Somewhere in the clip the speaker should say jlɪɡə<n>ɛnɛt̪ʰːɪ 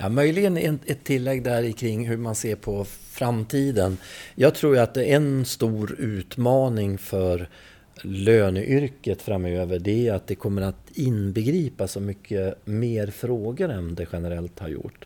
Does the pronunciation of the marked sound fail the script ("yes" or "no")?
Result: no